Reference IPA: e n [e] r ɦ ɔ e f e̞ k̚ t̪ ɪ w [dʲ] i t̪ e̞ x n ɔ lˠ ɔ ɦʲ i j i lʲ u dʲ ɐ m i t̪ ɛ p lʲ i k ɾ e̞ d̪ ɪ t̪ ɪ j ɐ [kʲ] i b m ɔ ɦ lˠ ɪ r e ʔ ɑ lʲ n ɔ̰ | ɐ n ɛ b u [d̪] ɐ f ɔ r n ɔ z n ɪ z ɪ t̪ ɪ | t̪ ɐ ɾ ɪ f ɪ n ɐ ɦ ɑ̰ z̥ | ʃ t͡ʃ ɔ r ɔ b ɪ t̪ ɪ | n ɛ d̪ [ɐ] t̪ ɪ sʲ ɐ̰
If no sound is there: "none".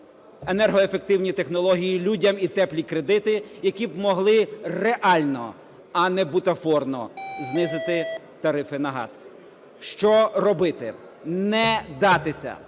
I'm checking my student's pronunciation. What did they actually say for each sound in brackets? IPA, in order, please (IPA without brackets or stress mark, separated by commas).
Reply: ɛ, nʲ, kʲ, t̪, ɑ